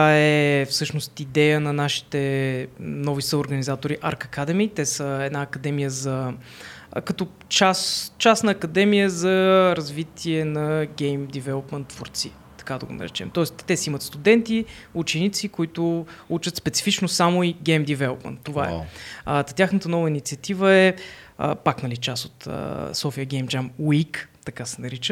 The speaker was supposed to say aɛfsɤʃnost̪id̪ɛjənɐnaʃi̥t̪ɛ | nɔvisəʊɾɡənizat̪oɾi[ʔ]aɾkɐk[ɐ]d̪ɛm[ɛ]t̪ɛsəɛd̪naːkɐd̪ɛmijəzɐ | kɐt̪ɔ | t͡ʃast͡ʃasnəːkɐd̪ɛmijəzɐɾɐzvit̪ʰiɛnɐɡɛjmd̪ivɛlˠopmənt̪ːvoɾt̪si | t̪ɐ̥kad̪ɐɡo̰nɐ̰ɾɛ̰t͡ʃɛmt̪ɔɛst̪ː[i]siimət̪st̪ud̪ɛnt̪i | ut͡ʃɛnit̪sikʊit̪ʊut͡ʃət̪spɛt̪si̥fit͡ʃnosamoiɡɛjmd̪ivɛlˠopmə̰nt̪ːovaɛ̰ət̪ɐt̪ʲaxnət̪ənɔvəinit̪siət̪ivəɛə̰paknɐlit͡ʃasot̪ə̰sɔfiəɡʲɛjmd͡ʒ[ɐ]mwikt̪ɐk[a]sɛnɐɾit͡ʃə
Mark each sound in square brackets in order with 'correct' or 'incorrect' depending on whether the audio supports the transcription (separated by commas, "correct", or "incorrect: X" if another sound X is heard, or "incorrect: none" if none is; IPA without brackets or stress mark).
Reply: correct, incorrect: a, incorrect: i, incorrect: ɛ, incorrect: a, correct